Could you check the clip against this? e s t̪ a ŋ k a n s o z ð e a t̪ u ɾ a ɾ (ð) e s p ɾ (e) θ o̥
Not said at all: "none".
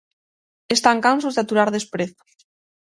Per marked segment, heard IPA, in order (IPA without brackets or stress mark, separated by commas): ð, e